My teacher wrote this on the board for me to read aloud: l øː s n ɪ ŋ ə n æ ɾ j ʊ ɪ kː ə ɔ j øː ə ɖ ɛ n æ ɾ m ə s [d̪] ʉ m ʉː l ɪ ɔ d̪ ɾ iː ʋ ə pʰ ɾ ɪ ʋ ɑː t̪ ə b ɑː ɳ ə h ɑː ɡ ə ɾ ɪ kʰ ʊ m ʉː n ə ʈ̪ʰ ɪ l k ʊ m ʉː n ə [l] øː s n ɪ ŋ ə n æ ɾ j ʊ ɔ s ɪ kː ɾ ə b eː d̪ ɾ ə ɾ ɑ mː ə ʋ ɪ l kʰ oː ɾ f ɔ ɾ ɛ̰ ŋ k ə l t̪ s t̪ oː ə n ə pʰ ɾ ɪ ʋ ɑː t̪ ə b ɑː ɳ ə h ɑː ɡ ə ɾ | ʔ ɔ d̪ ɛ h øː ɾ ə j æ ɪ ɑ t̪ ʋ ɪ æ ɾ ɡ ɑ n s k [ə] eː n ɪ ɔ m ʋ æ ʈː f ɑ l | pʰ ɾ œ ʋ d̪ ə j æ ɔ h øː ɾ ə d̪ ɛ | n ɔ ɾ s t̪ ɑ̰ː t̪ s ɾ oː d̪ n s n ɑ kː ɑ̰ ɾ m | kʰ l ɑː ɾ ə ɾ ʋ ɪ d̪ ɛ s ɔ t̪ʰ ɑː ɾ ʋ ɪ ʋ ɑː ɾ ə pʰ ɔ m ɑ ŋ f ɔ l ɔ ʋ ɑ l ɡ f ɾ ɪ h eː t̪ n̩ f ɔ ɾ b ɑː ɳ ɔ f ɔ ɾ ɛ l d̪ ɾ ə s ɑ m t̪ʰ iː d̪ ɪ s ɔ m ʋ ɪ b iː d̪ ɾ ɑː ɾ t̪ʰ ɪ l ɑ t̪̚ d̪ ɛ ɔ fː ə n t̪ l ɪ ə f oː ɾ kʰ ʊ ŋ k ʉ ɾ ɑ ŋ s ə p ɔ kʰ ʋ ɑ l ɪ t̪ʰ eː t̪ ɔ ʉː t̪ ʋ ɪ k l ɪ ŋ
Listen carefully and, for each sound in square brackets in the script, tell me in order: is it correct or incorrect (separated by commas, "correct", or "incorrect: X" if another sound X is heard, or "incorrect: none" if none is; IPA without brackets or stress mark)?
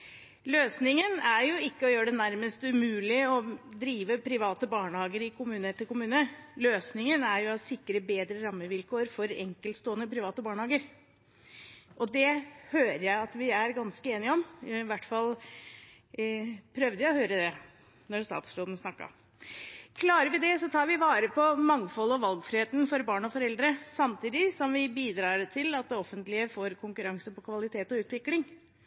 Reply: incorrect: t̪, correct, correct